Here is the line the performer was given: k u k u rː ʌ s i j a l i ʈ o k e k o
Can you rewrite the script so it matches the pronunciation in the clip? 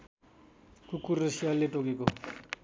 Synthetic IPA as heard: k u k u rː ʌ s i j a l e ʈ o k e k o